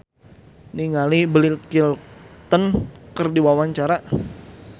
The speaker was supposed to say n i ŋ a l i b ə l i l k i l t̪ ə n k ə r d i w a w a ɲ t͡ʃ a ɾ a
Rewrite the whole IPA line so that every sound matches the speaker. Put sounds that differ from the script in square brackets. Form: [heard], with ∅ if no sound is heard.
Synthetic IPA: n i ŋ a l i b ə l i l k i l t̪ ə n k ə r d i w a w a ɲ t͡ʃ a ɾ a